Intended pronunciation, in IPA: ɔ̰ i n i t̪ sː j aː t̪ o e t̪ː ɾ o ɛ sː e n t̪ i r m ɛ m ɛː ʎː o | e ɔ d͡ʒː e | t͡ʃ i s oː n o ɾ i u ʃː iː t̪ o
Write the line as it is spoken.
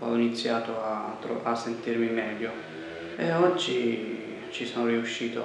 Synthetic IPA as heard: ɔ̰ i n i t̪ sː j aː t̪ o a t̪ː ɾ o a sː e n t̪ i r m i m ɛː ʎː o | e ɔ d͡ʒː i | t͡ʃ i s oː n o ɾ i u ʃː iː t̪ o